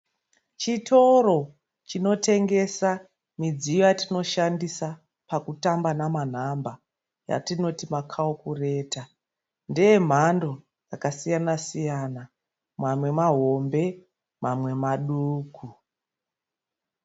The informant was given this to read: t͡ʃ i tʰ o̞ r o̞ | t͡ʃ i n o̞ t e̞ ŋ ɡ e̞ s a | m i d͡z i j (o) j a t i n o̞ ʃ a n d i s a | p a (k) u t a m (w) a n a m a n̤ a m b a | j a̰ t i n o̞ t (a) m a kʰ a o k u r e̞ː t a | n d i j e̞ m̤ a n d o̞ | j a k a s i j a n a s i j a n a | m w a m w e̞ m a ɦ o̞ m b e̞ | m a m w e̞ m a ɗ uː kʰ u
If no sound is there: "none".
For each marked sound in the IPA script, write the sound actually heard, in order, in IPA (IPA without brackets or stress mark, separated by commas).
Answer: o, k, b, i